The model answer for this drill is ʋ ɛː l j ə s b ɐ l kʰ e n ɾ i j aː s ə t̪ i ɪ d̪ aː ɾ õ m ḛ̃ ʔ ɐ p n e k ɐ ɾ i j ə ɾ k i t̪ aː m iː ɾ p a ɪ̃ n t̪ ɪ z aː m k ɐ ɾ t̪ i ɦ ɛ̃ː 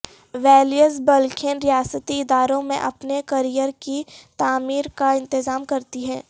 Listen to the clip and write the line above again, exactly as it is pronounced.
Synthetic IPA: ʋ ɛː l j ə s b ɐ l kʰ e n ɾ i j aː s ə t̪ i ɪ d̪ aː ɾ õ m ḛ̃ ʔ ɐ p n e k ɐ ɾ i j ə ɾ k i t̪ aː m iː ɾ k a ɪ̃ n t̪ ɪ z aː m k ɐ ɾ t̪ i ɦ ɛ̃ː